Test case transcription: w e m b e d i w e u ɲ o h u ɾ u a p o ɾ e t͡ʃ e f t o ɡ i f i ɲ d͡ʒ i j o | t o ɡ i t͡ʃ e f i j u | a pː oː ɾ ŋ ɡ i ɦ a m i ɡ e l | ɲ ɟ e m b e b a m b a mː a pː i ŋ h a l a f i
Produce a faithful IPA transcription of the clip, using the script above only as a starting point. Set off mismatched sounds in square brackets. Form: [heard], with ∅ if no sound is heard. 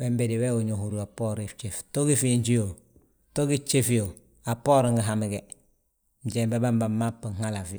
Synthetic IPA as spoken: w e m b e d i w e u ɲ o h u ɾ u a p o ɾ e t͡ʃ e f t o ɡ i f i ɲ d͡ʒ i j o | t o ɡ i t͡ʃ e f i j [o] | a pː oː ɾ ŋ ɡ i ɦ a m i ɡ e [∅] | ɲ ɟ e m b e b a m b a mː a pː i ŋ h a l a f i